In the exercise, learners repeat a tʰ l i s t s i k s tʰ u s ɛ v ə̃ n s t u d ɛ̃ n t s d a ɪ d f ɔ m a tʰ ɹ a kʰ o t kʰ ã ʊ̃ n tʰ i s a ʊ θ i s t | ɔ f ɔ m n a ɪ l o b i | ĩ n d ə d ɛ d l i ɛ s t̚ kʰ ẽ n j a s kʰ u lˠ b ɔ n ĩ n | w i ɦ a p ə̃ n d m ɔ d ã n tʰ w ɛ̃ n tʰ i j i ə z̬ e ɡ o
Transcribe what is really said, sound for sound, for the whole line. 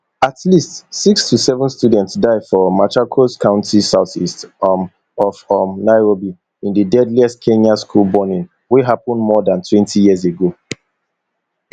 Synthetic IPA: a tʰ l i s t s i k s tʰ u s ɛ v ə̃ n s t u d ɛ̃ n t s d a ɪ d f ɔ m a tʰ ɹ a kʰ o s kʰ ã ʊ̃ n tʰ i s a ʊ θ i s t | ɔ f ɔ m n a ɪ ɹ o b i | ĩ n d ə d ɛ d l i ɛ s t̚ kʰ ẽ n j a s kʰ u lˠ b ɔ n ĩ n | w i ɦ a p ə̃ n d m ɔ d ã n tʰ w ɛ̃ n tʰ i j i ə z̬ e ɡ o